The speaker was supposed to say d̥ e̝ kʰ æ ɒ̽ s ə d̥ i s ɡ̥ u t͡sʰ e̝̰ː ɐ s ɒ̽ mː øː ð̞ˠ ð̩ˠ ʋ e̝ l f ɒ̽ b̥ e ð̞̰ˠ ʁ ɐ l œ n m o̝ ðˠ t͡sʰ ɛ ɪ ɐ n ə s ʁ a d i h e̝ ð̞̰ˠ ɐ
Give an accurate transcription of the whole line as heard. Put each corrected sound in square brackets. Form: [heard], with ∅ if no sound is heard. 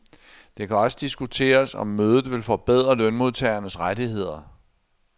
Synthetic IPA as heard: d̥ e̝ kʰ æ ɒ̽ s ə d̥ i s ɡ̥ u t͡sʰ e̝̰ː ɐ s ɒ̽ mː øː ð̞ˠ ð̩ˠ ʋ e̝ l f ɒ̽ b̥ e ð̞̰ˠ ʁ ɐ l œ n m o̝ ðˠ t͡sʰ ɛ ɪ ɐ n ə s ʁ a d i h e̝ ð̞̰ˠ ɐ